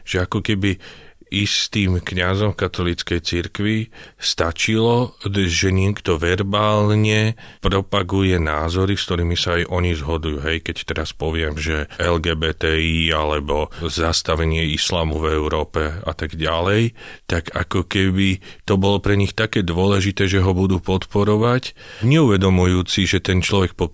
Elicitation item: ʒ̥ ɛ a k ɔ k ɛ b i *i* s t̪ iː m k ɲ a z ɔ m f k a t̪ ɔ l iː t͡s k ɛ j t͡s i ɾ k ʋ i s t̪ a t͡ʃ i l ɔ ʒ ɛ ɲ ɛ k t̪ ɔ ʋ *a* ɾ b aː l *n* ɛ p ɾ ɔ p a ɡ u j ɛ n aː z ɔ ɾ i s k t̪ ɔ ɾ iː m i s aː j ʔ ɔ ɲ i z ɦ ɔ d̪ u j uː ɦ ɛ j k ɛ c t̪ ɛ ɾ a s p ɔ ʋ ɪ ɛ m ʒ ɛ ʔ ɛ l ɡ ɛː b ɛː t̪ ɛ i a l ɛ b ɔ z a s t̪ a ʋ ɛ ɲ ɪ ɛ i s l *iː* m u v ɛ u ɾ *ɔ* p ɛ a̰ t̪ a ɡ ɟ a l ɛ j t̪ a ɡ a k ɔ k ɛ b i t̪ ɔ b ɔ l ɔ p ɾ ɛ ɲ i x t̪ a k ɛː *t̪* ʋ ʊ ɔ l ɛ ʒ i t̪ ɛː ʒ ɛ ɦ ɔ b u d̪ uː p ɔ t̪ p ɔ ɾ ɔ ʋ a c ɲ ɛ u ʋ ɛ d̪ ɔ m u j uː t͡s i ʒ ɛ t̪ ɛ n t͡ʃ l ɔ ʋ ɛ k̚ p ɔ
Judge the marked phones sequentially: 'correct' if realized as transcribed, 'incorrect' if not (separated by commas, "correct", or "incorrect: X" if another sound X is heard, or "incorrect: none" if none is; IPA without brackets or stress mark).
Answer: correct, incorrect: ɛ, incorrect: ɲ, incorrect: aː, incorrect: ɔː, incorrect: d̪